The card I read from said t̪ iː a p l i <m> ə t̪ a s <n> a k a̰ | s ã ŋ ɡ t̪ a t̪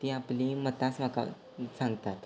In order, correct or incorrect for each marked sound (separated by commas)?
correct, incorrect